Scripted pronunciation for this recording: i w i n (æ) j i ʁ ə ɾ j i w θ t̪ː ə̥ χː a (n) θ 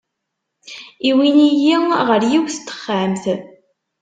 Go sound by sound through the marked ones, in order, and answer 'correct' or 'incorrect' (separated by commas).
incorrect, incorrect